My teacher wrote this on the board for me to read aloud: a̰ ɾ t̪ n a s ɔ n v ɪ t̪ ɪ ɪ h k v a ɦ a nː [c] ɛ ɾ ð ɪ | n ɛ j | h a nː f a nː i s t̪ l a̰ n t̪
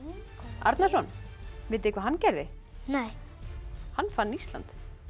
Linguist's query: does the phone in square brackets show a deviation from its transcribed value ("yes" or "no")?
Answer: no